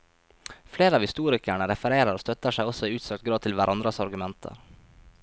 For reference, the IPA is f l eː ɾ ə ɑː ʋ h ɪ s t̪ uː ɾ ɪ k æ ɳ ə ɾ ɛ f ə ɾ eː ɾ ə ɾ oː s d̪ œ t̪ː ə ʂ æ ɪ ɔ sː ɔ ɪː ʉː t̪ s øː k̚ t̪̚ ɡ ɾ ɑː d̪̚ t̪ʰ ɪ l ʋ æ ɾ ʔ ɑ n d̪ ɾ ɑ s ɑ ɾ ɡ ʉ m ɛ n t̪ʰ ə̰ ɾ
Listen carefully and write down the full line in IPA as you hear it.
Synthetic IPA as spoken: f l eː ɾ ə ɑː ʋ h ɪ s t̪ uː ɾ ɪ k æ ɳ ə ɾ ɛ f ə ɾ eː ɾ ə ɾ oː s t̪ œ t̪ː ə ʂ æ ɪ ɔ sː ɔ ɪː ʉː t̪ s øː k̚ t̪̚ ɡ ɾ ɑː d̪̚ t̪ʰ ɪ l ʋ æ ɾ ʔ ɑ n d̪ ɾ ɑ s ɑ ɾ ɡ ʉ m ɛ n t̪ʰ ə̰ ɾ